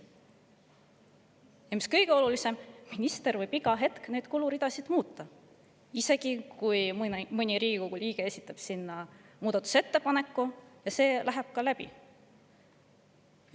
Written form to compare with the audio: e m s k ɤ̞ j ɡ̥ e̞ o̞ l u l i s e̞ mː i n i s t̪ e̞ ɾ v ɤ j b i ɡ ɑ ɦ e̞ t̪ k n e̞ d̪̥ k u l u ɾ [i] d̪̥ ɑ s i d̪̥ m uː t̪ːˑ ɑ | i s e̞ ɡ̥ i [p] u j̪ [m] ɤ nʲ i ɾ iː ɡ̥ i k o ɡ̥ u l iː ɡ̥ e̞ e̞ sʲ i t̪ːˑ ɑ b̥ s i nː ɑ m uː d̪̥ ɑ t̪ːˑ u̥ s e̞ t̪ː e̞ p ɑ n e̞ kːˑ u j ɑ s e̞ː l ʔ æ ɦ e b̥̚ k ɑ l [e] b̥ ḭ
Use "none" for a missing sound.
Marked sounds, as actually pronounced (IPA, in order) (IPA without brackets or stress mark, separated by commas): i, k, m, æ